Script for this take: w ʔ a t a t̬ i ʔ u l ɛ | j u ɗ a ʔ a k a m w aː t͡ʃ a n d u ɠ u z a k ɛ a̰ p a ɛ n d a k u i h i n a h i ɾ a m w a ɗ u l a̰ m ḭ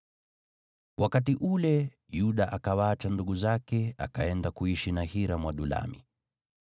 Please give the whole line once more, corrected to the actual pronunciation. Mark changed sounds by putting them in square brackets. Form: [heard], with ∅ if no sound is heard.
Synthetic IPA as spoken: w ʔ a [k] a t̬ i ʔ u l ɛ | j u ɗ a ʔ a k a [∅] w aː t͡ʃ a n d u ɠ u z a k ɛ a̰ [k] a ɛ n d a k u i [ʃ] i n a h i ɾ a m w a ɗ u l a̰ m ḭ